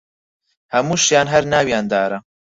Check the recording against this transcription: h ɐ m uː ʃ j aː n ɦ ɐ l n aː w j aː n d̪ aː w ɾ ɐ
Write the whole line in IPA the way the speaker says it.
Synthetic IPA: h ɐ m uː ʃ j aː n ɦ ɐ ɾ n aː w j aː n d̪ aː ɾ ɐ